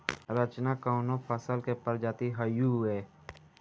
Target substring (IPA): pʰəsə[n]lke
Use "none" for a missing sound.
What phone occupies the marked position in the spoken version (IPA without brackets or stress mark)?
none